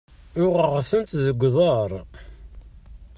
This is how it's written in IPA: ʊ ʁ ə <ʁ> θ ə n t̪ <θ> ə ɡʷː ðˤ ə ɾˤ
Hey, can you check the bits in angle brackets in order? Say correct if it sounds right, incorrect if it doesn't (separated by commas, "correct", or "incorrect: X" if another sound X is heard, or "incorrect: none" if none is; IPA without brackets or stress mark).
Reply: correct, incorrect: ð